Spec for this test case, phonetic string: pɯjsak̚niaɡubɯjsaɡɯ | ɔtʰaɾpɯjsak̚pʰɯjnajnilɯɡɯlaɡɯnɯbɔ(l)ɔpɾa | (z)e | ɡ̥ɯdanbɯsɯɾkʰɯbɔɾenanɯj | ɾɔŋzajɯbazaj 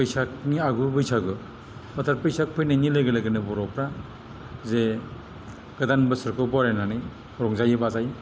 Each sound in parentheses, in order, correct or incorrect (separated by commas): incorrect, correct